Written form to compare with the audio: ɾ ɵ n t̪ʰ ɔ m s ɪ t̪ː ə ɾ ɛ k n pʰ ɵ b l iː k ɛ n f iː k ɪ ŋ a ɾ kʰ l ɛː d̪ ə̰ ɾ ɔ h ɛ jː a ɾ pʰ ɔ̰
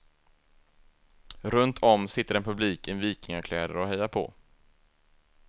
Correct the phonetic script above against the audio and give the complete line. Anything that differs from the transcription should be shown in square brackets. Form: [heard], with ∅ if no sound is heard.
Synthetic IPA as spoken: ɾ ɵ n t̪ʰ ɔ m s ɪ t̪ː ə ɾ ɛ [∅] n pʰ ɵ b l iː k ɛ n [v] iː k ɪ ŋ a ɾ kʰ l ɛː d̪ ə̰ ɾ ɔ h ɛ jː a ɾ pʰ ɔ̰